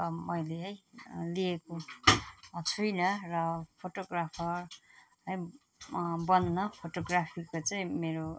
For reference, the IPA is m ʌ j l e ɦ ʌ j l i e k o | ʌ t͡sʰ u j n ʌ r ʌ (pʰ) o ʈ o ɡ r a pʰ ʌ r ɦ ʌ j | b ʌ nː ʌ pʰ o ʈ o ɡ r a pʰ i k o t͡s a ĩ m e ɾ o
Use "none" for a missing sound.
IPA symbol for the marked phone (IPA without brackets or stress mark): pʰ